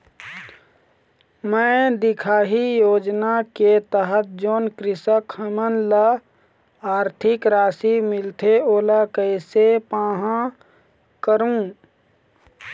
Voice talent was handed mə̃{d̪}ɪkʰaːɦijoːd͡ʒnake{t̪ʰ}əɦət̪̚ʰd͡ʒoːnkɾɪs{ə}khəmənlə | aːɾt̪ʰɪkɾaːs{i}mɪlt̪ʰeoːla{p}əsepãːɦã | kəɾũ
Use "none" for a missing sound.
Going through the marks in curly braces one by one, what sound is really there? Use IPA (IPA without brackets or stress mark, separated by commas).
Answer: d̪, t̪, ə, i, k